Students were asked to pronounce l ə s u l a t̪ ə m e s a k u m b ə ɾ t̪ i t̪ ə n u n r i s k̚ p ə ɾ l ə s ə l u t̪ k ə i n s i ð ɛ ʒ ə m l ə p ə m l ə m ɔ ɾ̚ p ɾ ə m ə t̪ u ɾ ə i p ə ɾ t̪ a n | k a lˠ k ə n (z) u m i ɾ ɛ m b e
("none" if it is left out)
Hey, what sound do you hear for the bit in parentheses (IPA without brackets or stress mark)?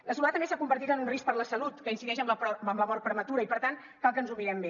z